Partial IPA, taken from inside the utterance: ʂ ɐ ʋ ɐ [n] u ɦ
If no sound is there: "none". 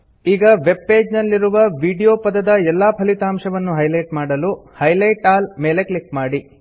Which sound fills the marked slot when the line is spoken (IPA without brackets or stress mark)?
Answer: nː